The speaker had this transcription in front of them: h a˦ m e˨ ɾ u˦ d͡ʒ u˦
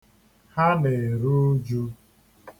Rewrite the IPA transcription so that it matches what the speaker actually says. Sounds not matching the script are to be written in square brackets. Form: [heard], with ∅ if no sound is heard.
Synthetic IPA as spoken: h a˦ [n] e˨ ɾ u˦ d͡ʒ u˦

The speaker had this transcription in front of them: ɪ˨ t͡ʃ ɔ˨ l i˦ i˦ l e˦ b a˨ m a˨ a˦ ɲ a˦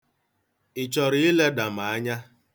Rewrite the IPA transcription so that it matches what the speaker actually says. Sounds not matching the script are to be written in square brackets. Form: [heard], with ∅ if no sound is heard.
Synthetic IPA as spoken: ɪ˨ t͡ʃ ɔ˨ [ɾ] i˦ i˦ l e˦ [d] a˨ m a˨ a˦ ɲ a˦

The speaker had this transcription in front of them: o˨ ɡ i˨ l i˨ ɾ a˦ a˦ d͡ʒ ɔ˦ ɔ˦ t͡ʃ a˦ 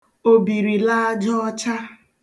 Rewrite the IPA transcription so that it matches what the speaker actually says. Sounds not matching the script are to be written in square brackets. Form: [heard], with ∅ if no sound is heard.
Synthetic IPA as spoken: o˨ [b] i˨ [ɾ] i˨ [l] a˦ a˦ d͡ʒ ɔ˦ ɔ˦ t͡ʃ a˦

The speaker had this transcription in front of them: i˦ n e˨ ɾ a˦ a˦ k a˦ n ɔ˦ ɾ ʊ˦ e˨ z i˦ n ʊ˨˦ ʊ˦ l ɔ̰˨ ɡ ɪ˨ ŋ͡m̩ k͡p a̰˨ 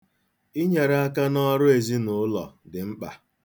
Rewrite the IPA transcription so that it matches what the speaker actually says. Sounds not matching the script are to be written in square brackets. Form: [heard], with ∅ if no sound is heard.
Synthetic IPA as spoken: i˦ [ɲ] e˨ ɾ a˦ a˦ k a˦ n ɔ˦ ɾ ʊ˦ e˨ z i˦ n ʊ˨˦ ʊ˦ l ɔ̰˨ [d] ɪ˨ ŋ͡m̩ k͡p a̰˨

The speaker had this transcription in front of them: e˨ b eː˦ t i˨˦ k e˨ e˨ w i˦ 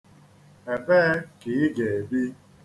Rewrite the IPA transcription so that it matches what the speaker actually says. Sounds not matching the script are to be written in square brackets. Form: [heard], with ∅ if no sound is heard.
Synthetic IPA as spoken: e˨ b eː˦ [k] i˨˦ [ɡ] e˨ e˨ [b] i˦

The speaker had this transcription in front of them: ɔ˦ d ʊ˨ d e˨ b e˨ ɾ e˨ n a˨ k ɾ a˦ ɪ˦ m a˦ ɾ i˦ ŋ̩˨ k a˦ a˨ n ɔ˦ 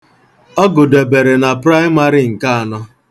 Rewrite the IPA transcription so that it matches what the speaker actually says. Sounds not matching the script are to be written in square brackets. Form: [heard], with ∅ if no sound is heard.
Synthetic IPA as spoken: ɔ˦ [ɡ] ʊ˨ d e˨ b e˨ ɾ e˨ n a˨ [p] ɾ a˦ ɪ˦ m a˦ ɾ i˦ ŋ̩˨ k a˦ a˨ n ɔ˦

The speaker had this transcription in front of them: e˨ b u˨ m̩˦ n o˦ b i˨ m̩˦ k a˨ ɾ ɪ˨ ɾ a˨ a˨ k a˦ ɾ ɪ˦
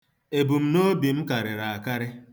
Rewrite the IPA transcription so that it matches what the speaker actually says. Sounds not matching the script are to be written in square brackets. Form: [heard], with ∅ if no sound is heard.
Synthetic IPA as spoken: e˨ b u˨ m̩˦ n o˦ b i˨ m̩˦ k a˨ ɾ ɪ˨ ɾ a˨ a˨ k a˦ ɾ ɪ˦

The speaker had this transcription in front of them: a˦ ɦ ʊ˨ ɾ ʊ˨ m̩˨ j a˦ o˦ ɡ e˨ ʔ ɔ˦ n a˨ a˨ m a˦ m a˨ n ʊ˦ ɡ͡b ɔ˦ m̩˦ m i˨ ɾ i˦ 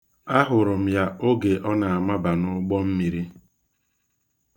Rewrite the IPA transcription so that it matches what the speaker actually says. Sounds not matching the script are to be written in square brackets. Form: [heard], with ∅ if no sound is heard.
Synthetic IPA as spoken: a˦ ɦ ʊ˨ ɾ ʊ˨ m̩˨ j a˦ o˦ ɡ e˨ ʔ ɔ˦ n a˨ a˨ m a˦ [b] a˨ n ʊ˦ ɡ͡b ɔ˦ m̩˦ m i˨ ɾ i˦

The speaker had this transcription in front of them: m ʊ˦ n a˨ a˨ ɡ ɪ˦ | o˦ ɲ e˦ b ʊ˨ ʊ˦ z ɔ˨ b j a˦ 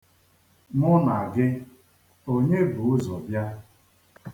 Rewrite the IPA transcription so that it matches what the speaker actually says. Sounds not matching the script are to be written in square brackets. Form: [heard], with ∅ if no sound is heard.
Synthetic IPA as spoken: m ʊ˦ n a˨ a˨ ɡ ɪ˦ | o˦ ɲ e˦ b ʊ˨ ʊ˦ z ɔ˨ b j a˦

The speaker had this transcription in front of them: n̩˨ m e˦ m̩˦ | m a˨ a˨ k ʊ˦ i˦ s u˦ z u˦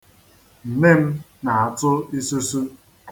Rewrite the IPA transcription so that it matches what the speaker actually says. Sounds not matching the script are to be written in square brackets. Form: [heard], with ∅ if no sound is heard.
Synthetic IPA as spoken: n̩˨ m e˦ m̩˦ | [n] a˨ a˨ [t] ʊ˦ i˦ s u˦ [s] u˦

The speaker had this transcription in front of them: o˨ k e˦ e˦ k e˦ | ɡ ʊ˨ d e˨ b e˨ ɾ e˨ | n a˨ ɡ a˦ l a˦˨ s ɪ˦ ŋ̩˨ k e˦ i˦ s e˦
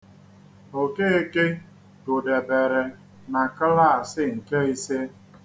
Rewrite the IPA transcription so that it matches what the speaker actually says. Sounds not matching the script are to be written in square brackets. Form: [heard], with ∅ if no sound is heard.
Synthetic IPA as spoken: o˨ k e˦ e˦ k e˦ | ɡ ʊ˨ d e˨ b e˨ ɾ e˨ | n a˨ [k] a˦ l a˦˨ s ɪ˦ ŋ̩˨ k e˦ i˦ s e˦

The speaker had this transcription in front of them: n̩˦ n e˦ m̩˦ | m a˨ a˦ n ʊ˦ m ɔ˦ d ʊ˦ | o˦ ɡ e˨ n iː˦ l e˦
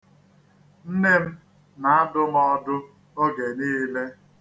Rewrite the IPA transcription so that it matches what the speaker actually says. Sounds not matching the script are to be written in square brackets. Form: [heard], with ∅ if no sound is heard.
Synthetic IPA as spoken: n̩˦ n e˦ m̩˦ | [n] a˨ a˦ [d] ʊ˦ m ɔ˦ d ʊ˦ | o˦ ɡ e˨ n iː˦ l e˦

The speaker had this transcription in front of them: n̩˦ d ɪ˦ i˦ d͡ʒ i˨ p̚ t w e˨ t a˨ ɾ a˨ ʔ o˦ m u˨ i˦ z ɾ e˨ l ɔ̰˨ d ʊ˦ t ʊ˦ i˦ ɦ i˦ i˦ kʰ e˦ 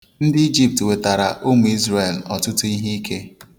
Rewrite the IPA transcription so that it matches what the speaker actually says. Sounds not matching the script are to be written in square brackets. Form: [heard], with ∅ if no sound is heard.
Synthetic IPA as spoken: n̩˦ d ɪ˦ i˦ d͡ʒ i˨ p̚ t w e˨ t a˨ ɾ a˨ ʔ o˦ m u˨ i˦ z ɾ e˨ l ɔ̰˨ [t] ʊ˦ t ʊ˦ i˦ ɦ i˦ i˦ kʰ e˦

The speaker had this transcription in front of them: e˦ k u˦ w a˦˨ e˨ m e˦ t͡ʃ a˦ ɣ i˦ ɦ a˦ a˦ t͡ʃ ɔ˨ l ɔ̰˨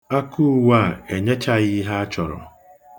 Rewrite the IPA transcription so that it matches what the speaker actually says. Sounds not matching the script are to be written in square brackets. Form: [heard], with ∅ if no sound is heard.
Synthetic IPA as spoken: [a˦] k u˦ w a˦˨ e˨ [ɲ] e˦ t͡ʃ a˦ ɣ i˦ ɦ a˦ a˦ t͡ʃ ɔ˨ [ɾ] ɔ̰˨

